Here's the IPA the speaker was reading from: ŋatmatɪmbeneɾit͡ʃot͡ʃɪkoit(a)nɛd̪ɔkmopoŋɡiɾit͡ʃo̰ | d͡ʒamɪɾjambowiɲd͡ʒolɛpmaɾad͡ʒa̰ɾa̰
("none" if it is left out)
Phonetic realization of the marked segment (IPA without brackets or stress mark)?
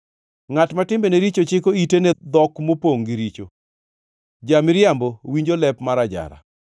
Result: e